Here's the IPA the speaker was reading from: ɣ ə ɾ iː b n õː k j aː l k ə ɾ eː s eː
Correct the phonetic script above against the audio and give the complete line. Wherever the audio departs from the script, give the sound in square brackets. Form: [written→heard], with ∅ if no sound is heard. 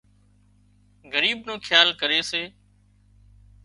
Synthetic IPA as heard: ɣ ə ɾ iː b n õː [k→kʰ] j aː l k ə ɾ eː s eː